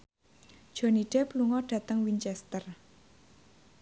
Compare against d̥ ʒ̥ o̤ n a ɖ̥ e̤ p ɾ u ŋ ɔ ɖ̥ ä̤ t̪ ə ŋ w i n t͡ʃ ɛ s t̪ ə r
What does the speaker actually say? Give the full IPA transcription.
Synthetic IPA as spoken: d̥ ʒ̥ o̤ n i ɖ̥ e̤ p l u ŋ ɔ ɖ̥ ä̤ t̪ ə ŋ w i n t͡ʃ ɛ s t̪ ə r